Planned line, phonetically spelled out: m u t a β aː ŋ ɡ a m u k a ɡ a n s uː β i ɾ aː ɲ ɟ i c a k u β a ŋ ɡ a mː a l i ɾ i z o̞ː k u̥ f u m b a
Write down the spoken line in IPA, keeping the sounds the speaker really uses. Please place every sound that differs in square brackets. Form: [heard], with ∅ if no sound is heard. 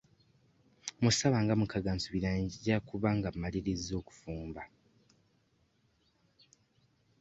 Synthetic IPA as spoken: m u [s] a β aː ŋ ɡ a m u k a ɡ a n s [u] β i ɾ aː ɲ ɟ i [ɟ] a k u β a ŋ ɡ a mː a l i ɾ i z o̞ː k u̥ f [uː] m b a